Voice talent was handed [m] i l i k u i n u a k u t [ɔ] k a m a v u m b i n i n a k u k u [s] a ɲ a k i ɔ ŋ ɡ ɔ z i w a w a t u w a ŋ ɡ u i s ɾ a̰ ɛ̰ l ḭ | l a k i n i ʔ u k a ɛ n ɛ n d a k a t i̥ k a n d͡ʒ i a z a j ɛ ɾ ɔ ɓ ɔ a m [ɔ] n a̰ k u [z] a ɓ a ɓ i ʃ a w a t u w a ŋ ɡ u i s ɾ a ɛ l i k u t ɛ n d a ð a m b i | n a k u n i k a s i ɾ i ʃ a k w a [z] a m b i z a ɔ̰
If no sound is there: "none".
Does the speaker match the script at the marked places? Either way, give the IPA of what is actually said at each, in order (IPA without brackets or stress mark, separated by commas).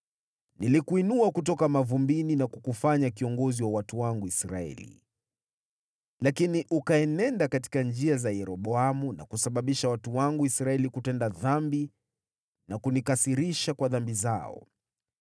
n, ɔ, f, u, s, ð